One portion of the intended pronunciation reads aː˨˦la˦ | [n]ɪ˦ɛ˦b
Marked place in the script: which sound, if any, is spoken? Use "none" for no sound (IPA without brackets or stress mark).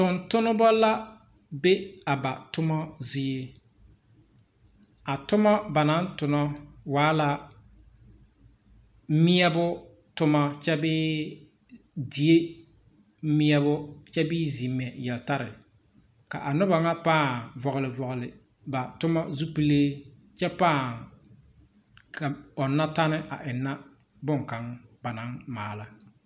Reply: m